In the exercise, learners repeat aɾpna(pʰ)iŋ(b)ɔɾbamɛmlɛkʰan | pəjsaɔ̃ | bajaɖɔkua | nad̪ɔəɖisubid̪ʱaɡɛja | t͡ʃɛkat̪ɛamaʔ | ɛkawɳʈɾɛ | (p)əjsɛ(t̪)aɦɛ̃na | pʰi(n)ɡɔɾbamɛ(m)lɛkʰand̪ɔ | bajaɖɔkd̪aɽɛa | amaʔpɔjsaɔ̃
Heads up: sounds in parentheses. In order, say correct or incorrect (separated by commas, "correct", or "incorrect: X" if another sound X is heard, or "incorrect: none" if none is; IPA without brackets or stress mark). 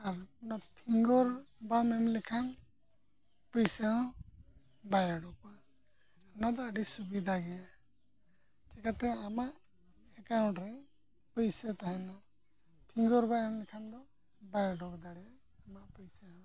correct, incorrect: ɡ, correct, correct, incorrect: ŋ, correct